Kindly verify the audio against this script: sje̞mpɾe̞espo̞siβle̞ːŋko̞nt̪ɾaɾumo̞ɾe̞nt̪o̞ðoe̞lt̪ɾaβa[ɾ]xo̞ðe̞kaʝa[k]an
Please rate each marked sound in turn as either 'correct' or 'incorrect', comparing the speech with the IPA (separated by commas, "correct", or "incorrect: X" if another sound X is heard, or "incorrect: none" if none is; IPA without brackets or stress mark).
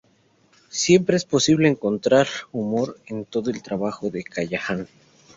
incorrect: none, incorrect: x